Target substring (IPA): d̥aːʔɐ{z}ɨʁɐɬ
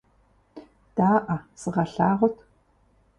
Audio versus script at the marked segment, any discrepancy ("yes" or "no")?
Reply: yes